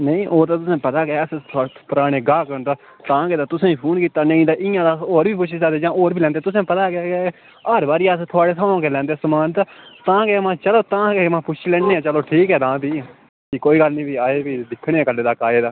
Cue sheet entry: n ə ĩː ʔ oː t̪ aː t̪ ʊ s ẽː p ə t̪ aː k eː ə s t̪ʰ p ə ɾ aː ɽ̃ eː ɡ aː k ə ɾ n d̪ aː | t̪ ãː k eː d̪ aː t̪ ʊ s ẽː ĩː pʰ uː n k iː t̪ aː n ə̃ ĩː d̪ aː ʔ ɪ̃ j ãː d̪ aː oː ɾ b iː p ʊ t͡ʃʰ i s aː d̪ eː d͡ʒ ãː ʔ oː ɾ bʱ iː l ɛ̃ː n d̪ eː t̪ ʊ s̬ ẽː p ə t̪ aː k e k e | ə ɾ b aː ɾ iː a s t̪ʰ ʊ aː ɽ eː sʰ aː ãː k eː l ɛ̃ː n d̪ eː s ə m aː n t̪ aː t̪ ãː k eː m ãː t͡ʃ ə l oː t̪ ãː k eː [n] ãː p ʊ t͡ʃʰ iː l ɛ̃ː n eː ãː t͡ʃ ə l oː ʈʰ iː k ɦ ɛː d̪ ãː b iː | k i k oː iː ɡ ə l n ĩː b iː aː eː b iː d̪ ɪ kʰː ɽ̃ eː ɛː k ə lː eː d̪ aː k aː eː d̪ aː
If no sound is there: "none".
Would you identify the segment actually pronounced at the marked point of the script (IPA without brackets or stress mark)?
m